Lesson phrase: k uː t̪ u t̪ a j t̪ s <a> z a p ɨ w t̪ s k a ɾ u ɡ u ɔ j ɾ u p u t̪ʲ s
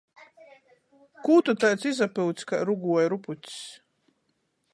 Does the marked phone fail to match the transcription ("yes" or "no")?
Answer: yes